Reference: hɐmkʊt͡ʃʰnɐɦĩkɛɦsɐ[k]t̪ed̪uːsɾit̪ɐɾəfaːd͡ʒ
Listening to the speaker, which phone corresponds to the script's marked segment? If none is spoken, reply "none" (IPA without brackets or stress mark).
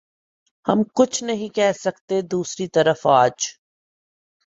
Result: k